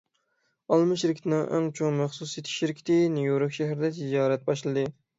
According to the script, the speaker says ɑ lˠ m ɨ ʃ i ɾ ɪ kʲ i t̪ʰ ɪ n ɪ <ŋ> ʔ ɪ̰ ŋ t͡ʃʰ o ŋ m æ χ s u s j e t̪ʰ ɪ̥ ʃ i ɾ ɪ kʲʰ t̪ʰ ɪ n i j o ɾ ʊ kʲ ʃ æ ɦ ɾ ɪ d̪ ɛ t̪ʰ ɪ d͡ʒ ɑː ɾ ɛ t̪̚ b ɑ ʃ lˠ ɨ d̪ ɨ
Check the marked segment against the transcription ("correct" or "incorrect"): correct